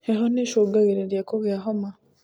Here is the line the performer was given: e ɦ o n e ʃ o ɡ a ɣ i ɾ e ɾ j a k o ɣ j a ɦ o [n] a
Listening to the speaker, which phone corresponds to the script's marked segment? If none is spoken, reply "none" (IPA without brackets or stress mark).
m